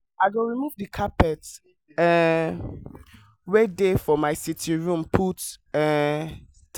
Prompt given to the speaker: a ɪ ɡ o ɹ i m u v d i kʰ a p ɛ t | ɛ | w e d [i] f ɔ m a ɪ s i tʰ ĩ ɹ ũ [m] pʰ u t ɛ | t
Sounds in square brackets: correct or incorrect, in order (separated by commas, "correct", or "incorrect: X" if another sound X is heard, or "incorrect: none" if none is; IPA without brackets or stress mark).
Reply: incorrect: e, correct